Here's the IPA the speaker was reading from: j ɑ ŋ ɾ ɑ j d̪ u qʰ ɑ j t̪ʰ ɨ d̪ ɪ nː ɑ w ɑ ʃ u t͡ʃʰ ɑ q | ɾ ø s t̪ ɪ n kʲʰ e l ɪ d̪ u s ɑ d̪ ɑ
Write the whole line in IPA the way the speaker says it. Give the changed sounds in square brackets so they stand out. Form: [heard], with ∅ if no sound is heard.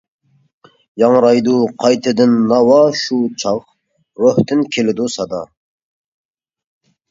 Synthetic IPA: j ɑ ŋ ɾ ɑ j d̪ u qʰ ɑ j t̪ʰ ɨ d̪ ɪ nː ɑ w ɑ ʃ u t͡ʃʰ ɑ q | ɾ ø [h] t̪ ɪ n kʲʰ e l ɪ d̪ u s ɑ d̪ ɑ